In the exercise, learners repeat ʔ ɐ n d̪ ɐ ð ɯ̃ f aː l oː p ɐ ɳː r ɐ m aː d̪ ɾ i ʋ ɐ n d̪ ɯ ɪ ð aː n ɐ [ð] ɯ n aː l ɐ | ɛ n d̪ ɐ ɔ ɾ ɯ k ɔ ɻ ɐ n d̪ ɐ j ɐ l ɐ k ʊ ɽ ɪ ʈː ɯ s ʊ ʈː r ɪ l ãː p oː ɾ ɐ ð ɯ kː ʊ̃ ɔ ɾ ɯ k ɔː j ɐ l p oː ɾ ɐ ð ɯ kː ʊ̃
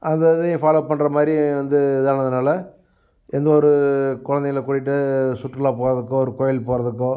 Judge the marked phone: correct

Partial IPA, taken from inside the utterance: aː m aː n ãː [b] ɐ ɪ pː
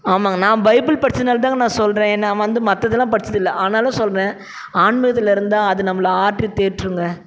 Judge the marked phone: correct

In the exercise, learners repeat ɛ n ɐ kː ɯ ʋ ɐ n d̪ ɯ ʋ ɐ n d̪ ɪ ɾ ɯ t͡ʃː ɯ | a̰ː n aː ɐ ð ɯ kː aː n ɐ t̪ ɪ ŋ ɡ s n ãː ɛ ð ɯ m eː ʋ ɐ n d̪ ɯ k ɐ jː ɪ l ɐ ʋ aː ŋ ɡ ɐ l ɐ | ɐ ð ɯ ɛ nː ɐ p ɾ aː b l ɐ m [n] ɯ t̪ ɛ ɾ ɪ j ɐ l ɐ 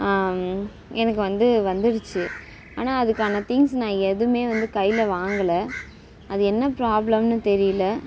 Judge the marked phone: correct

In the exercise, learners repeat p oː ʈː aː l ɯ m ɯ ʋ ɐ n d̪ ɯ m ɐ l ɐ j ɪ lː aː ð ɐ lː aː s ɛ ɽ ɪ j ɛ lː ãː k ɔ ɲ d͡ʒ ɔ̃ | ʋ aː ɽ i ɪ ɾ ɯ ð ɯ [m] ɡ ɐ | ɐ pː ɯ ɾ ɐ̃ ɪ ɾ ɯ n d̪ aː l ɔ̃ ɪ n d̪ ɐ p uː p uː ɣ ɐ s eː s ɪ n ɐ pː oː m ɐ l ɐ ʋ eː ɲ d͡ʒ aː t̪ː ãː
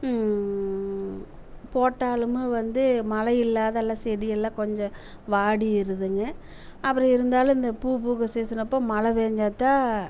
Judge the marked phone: incorrect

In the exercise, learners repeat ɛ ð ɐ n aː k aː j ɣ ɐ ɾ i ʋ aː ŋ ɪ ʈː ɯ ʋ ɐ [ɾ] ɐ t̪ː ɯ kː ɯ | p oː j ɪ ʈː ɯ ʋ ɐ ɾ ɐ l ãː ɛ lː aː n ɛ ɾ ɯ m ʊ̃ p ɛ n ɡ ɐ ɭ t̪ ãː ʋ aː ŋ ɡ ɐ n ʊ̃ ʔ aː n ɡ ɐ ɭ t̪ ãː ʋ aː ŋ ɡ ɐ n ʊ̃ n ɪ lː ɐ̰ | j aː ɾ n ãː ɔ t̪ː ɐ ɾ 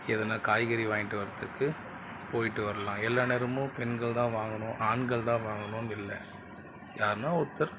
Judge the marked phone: correct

